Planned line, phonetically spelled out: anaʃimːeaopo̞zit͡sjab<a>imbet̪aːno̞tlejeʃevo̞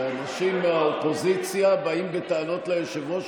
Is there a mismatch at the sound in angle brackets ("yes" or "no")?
no